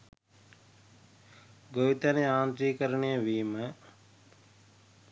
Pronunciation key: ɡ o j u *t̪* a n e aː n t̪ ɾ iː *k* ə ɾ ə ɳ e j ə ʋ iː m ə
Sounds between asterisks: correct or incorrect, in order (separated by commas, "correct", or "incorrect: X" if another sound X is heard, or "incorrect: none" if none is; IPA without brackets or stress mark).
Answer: correct, correct